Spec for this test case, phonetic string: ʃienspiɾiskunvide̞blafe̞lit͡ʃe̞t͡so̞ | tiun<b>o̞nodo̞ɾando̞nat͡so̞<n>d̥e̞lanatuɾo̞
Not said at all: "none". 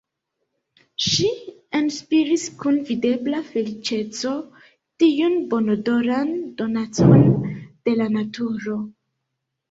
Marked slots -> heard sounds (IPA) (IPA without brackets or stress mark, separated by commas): b, n